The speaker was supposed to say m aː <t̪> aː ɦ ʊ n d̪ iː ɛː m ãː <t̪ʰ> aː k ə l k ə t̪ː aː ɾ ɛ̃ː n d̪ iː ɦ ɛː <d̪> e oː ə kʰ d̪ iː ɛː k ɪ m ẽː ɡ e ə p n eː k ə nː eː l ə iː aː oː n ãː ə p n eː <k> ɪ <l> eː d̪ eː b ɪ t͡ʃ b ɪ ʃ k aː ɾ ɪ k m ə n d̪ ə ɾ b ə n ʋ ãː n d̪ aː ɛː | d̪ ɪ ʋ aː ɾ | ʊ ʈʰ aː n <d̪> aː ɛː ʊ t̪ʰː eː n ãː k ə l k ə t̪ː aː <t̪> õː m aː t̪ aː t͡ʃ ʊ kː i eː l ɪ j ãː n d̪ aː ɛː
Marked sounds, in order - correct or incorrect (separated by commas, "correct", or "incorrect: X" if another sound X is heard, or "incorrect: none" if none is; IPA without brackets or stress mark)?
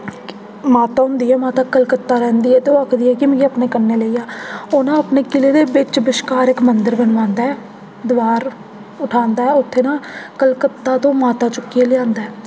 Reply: correct, incorrect: t̪, incorrect: t̪, correct, correct, correct, correct